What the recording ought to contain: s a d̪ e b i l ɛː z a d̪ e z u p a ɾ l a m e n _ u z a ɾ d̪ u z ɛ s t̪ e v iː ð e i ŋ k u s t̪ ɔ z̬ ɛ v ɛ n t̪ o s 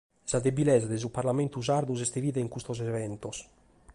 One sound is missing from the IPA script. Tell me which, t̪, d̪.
t̪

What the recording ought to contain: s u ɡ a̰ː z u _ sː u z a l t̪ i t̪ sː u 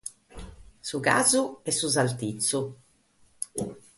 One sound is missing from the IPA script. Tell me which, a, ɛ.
ɛ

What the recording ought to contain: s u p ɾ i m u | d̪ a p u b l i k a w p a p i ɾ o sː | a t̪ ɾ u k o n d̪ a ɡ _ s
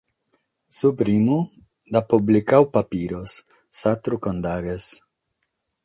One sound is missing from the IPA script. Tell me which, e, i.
e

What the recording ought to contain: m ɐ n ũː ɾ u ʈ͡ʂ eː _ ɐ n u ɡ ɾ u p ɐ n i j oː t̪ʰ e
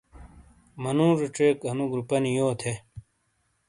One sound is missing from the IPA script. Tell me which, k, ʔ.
k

